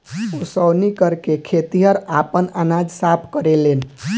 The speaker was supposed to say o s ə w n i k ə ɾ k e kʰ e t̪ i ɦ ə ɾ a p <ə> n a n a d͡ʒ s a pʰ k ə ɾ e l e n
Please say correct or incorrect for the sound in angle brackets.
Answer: correct